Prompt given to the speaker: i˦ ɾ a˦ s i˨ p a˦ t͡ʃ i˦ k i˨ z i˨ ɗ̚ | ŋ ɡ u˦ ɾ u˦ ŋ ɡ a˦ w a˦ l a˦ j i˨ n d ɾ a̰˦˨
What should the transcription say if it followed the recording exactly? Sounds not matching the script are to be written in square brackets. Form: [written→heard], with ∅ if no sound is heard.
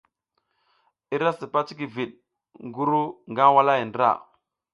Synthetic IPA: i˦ ɾ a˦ s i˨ p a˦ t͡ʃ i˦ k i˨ [z→v] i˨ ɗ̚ | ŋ ɡ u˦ ɾ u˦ ŋ ɡ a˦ w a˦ l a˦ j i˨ n d ɾ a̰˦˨